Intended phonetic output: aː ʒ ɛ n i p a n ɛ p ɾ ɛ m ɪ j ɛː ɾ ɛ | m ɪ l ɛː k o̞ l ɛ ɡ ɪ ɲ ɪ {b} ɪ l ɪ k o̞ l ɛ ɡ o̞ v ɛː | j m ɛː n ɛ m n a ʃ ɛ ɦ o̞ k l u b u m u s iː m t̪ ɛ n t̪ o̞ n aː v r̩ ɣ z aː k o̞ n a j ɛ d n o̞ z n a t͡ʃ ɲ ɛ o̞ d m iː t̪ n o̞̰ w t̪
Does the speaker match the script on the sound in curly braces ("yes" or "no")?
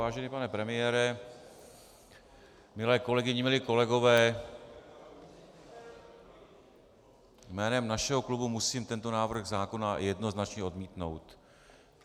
no